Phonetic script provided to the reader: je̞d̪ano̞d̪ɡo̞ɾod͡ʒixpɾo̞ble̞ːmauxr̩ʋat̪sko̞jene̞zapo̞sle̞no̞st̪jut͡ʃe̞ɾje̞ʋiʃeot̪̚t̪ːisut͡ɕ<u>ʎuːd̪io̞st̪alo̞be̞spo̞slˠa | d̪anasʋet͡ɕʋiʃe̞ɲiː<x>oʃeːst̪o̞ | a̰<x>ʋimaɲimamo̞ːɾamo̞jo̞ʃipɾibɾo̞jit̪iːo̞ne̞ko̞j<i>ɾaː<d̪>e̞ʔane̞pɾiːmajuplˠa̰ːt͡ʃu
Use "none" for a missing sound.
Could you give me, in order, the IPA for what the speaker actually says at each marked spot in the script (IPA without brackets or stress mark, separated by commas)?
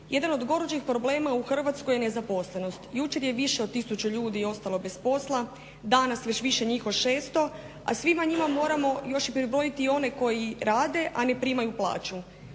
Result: u, x, s, i, d̪